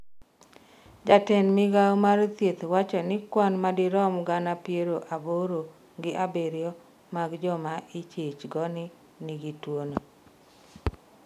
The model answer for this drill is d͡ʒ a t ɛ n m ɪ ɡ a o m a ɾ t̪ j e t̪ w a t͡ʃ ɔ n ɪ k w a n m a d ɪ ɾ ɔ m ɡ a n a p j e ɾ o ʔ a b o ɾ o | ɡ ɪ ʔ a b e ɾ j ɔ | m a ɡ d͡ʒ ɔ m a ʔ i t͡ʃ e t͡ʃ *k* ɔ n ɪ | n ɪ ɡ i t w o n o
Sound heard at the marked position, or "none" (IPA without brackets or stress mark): ɡ